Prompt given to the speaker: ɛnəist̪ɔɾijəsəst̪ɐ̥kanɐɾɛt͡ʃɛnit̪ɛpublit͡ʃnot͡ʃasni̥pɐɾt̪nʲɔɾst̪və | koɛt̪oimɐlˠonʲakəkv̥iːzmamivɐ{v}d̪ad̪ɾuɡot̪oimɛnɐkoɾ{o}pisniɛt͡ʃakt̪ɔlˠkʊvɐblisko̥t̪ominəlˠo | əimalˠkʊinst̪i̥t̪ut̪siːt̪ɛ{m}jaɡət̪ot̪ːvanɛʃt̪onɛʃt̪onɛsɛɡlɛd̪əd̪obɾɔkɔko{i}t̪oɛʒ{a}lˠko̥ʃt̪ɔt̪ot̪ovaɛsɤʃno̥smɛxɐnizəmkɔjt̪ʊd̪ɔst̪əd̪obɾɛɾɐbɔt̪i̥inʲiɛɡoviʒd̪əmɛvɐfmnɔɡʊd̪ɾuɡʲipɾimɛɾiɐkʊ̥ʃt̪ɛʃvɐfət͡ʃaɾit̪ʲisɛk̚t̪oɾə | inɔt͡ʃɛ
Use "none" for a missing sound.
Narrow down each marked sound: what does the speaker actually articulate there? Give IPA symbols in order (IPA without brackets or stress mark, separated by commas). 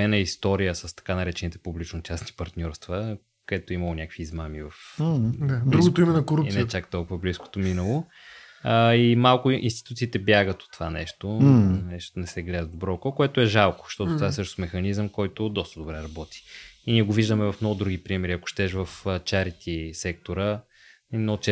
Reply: f, u, b, ɛ, a